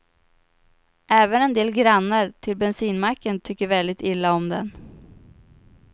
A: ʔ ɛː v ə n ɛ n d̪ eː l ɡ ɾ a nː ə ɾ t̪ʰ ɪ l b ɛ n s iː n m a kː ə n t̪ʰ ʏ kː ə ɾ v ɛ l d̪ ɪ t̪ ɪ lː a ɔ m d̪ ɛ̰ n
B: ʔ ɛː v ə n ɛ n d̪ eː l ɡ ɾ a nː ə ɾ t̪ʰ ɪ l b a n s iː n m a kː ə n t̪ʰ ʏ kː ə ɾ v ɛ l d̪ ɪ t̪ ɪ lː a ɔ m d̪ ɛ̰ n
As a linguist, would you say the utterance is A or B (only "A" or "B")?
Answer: A